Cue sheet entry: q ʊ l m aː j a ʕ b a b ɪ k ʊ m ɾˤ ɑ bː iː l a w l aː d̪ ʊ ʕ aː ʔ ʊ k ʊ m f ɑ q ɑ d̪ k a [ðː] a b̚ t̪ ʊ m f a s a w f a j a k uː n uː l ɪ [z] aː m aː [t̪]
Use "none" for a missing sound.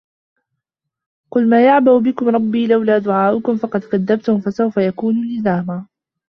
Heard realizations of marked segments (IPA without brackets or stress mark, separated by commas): ðː, z, none